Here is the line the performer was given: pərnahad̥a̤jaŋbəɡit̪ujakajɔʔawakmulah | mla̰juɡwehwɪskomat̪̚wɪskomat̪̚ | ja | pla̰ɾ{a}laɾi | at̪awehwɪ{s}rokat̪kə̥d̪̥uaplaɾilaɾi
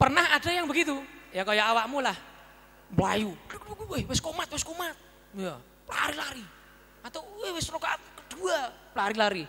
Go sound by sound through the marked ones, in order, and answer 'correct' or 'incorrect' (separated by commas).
incorrect, correct